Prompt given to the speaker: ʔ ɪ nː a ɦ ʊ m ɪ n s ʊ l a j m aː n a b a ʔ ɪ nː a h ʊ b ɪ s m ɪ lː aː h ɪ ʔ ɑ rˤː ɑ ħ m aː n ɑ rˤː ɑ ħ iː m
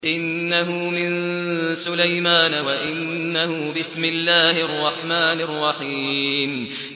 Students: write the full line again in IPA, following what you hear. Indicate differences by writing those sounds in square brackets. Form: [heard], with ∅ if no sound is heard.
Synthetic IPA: ʔ ɪ nː a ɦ ʊ m ɪ n s ʊ l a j m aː n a [w] a ʔ ɪ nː a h ʊ b ɪ s m ɪ lː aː h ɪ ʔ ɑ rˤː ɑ ħ m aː n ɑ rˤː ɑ ħ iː m